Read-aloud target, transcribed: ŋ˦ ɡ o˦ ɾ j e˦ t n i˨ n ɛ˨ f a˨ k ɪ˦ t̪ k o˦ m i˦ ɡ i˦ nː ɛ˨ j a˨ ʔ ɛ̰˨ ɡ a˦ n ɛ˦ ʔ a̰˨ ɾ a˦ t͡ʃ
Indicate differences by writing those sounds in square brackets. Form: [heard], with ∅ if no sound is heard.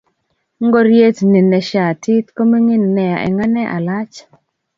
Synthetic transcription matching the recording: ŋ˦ ɡ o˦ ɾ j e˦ t n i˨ n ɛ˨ [ʃ] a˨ [t] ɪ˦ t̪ k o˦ m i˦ [ŋ] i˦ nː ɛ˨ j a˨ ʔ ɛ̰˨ [ŋ] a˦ n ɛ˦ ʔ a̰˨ [l] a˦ t͡ʃ